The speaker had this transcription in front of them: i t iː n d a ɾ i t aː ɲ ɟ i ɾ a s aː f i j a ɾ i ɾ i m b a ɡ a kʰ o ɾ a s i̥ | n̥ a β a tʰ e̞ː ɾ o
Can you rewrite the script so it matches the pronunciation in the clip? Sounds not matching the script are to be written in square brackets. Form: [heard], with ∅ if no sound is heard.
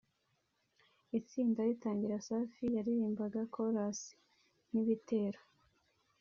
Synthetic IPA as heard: i [t͡s] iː n d a ɾ i t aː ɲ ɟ i ɾ a s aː f i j a ɾ i ɾ [iː] m b a ɡ a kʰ o ɾ a s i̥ | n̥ [i] β [i] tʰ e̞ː ɾ o